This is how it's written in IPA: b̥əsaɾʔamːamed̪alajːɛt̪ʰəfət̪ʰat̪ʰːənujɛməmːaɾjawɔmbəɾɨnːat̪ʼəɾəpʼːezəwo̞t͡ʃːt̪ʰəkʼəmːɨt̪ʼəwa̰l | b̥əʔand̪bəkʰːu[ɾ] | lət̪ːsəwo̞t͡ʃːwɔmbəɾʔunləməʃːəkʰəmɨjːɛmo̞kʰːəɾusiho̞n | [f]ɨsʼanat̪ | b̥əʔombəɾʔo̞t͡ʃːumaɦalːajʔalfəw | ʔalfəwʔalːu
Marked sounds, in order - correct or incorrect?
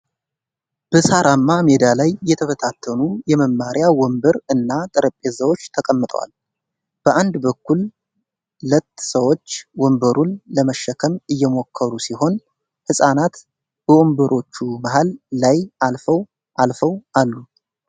incorrect, incorrect

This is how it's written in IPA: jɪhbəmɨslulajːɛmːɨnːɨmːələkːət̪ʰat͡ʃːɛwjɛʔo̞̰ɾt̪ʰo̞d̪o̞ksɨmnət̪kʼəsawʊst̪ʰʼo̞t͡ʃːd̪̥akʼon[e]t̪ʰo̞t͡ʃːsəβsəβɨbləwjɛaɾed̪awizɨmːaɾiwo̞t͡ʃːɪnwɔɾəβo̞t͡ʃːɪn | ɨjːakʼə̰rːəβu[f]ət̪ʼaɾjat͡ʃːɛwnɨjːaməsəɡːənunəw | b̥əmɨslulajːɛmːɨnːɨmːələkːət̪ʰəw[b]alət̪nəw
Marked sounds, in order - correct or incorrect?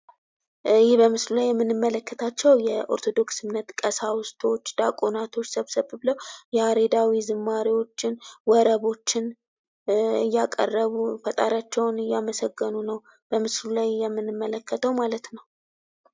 incorrect, correct, incorrect

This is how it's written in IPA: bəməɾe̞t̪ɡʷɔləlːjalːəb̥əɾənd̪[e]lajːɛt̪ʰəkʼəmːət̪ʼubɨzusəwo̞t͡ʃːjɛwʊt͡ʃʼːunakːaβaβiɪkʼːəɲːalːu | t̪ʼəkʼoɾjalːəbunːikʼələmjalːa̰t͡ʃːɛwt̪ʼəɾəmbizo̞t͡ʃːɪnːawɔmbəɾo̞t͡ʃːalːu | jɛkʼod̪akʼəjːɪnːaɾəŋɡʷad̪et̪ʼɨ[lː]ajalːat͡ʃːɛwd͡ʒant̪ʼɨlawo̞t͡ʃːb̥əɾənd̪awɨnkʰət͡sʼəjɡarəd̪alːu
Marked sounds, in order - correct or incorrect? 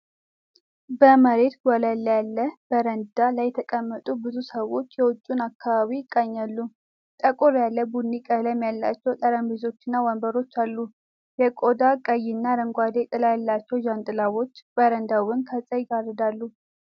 incorrect, incorrect

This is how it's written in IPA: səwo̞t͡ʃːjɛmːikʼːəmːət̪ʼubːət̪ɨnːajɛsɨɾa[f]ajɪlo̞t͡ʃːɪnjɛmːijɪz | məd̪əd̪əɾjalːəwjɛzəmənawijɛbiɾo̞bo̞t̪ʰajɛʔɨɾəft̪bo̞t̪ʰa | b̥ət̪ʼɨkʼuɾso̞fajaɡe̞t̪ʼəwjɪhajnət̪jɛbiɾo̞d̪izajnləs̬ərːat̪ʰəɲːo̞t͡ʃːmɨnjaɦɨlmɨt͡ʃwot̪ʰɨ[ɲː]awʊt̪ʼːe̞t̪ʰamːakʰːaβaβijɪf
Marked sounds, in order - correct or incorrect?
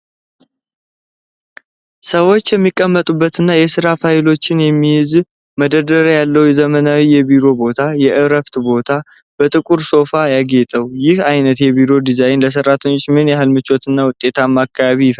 correct, incorrect

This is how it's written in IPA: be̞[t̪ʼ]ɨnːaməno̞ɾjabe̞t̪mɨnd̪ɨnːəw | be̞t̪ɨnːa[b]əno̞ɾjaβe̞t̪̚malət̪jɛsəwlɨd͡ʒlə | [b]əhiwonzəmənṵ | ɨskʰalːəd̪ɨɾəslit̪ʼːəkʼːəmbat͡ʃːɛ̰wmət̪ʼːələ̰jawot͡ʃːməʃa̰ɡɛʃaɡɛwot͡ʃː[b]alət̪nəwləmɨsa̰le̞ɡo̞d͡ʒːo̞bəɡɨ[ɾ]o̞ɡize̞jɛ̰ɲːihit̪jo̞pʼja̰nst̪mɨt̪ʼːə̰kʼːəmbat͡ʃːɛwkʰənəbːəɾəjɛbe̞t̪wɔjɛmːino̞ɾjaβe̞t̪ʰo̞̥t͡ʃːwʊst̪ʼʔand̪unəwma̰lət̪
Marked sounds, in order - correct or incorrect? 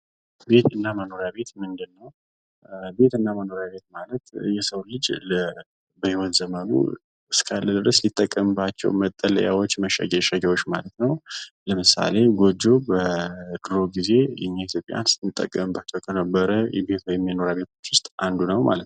incorrect, incorrect, correct, incorrect, correct

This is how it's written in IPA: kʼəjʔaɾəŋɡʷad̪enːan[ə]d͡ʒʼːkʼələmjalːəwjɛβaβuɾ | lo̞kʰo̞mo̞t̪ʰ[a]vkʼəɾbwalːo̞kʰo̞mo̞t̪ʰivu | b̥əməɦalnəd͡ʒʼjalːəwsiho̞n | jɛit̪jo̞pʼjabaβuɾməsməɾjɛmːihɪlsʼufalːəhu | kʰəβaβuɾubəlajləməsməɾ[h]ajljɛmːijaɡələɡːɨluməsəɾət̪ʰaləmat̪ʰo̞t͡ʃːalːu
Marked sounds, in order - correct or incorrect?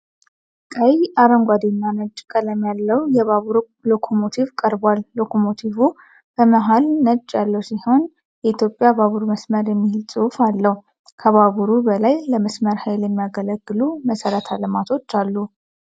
correct, incorrect, correct

